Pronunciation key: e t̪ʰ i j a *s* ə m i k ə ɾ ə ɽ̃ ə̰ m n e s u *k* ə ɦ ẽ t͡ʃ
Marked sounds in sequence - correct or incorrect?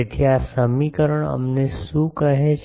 correct, correct

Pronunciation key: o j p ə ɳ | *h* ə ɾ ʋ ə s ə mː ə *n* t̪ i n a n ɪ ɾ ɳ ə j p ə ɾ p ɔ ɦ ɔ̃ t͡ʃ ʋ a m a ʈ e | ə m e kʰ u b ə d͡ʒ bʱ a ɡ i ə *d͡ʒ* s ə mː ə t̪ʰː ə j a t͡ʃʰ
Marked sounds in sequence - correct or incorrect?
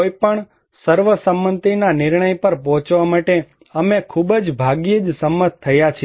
incorrect: s, correct, correct

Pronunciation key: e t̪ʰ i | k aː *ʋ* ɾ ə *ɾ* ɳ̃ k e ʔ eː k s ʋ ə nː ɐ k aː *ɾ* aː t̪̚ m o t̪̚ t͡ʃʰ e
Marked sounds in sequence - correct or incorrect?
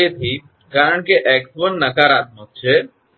incorrect: none, incorrect: none, correct

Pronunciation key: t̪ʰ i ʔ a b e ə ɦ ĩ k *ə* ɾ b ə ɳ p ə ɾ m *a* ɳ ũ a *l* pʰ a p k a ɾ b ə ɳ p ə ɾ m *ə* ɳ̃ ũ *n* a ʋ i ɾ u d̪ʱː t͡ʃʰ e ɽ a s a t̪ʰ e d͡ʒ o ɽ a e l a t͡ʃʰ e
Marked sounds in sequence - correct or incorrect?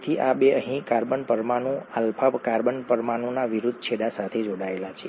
incorrect: a, correct, correct, incorrect: a, correct

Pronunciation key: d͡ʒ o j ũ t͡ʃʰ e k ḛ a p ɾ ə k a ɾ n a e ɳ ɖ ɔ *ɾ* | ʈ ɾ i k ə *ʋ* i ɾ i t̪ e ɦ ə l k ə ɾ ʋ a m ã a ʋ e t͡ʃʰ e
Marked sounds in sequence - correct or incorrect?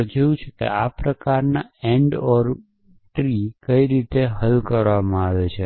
correct, incorrect: none

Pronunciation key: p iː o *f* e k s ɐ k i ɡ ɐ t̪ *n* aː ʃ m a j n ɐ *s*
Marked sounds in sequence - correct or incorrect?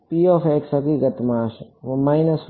correct, incorrect: m, correct

